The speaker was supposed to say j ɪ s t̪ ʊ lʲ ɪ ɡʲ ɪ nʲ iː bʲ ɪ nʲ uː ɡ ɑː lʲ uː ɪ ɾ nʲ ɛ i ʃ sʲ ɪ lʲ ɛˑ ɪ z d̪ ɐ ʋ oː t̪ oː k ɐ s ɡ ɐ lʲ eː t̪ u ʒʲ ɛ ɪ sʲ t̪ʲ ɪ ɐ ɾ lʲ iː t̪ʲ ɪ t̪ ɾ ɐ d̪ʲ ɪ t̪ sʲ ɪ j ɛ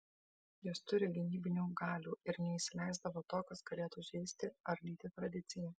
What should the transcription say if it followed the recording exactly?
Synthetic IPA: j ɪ s t̪ ʊ ɾʲ ɪ ɡʲ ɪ nʲ iː bʲ ɪ nʲ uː ɡ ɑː lʲ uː ɪ ɾ nʲ ɛ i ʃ sʲ ɪ lʲ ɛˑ ɪ z d̪ ɐ ʋ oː t̪ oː k ɐ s ɡ ɐ lʲ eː t̪ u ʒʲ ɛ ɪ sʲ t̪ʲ ɪ ɐ ɾ lʲ iː t̪ʲ ɪ t̪ ɾ ɐ d̪ʲ ɪ t̪ sʲ ɪ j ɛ